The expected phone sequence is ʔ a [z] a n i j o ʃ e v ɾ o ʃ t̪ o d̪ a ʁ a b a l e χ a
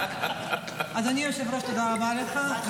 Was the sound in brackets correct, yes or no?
yes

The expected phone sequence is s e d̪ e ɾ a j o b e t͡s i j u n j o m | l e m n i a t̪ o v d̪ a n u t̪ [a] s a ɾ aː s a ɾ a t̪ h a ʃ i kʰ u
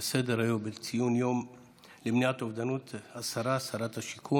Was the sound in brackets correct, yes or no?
yes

